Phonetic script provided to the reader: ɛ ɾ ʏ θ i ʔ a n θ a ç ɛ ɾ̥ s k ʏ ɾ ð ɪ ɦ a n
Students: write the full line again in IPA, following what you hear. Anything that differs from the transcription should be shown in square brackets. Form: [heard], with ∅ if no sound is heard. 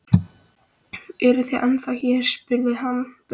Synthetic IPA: ɛ ɾ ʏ θ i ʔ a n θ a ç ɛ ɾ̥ s [p] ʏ ɾ ð ɪ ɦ a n